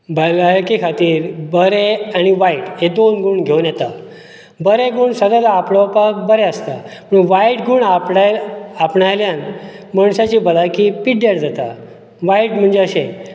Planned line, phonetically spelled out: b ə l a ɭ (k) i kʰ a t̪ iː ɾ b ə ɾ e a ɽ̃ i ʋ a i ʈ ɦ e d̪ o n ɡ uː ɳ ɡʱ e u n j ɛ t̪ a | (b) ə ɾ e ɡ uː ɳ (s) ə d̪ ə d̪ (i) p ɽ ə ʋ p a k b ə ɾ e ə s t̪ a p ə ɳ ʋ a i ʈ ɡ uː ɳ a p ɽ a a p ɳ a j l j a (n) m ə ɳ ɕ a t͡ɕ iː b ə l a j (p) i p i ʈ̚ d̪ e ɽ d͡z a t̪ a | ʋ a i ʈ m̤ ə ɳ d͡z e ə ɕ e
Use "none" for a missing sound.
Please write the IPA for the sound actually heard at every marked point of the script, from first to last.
k, b, s, a, n, k

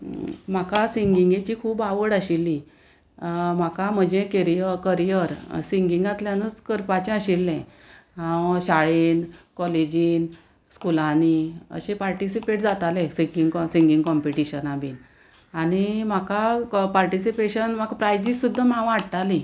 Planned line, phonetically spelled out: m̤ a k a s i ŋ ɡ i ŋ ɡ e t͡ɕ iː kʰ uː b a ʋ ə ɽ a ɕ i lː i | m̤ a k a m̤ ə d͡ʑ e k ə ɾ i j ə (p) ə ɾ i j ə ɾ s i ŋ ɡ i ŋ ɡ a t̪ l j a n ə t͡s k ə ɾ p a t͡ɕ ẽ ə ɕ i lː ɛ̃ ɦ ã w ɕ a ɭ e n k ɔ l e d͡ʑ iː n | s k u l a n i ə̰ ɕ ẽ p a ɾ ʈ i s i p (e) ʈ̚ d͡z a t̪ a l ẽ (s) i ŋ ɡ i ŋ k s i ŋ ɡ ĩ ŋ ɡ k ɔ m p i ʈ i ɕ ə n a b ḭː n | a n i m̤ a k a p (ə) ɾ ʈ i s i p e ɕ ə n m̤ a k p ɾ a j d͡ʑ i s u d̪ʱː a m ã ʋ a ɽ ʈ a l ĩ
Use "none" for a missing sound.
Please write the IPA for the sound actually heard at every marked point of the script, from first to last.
k, e, s, a

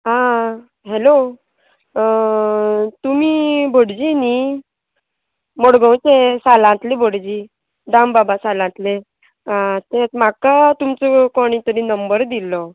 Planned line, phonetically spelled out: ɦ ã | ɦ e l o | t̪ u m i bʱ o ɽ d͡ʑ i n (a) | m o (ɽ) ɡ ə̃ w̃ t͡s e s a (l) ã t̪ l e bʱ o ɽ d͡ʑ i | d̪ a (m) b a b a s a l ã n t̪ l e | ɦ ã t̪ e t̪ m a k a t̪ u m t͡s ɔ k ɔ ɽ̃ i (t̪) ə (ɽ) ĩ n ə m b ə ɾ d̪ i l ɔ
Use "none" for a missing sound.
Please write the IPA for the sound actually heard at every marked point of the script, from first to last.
i, ɽ, l, m, t̪, ɾ

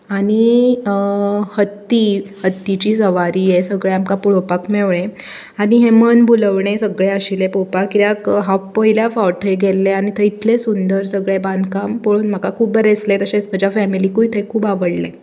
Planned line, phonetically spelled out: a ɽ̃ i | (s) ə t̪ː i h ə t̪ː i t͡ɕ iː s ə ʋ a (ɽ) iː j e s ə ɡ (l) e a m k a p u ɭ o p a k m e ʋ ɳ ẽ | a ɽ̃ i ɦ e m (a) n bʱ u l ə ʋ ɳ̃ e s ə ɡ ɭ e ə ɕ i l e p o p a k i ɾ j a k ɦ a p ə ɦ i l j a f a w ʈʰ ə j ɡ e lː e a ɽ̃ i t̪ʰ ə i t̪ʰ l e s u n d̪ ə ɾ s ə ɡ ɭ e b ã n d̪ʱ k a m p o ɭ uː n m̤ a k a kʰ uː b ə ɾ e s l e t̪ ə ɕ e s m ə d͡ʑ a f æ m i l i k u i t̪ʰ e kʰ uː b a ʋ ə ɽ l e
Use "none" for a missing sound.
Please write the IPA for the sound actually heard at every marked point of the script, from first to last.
h, ɾ, ɭ, ə

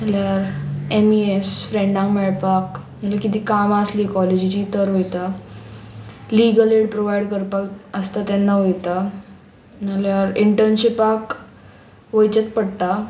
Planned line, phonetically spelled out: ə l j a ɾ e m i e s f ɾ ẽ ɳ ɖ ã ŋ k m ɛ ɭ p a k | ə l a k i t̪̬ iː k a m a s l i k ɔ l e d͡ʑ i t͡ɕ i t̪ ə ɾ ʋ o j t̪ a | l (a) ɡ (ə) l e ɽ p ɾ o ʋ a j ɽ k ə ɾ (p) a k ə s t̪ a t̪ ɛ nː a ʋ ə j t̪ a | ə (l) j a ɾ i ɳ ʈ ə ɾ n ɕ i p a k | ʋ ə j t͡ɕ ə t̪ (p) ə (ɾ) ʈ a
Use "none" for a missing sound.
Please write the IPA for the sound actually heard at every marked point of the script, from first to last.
i, ə, p, l, p, ɽ

